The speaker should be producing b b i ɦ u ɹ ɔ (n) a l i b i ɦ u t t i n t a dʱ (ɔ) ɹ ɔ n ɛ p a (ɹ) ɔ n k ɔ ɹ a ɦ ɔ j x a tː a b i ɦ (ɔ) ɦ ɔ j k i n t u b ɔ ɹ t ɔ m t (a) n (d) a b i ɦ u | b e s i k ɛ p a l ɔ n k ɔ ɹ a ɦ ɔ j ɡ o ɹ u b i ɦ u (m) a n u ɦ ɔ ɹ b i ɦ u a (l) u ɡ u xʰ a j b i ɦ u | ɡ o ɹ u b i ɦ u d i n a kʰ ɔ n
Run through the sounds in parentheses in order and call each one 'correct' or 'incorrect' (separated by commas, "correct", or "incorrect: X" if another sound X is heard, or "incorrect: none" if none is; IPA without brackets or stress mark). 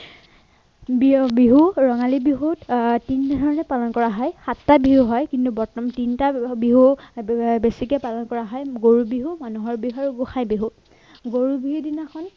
incorrect: ŋ, correct, incorrect: l, incorrect: u, incorrect: i, incorrect: t, correct, incorrect: ɹ